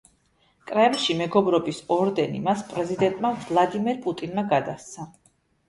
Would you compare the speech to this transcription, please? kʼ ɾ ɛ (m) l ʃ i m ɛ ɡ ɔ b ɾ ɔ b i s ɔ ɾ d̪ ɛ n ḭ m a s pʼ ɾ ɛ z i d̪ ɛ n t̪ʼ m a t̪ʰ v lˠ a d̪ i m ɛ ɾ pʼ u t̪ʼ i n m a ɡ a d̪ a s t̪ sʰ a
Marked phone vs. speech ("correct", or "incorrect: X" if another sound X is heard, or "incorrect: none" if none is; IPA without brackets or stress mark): correct